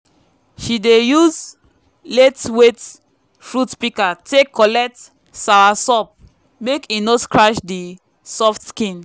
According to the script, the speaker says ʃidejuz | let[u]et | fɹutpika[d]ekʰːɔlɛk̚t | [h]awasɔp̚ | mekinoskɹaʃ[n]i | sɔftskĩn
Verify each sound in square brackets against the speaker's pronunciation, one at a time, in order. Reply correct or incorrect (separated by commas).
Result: incorrect, incorrect, incorrect, incorrect